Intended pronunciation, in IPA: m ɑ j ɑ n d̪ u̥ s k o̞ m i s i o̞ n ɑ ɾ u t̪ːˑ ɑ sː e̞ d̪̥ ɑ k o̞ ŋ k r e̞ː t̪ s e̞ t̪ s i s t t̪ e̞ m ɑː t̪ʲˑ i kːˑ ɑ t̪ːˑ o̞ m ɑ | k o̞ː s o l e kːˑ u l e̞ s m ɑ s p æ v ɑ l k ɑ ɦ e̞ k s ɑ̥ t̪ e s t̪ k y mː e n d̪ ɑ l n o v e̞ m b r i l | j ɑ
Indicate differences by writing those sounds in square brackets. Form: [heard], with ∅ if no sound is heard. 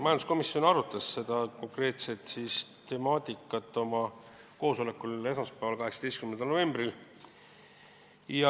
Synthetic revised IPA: m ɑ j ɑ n d̪ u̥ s k o̞ m i s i o̞ n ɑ ɾ u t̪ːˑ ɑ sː e̞ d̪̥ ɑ k o̞ ŋ k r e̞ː t̪ s e̞ t̪ s i s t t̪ e̞ m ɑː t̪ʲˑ i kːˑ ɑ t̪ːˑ o̞ m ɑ | k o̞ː s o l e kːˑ u l e̞ s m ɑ s p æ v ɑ l k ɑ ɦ e̞ k s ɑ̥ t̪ e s t̪ k y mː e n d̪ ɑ l n o v e̞ m b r i l | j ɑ